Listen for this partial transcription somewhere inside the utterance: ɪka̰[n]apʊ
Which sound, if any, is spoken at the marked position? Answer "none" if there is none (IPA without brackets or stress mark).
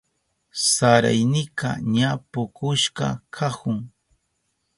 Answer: ɲ